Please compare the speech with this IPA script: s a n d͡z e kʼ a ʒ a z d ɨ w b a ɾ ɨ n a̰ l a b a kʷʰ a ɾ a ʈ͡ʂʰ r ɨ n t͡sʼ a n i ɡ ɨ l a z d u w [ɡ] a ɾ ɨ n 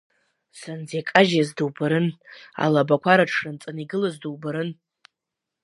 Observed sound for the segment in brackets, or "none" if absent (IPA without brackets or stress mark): b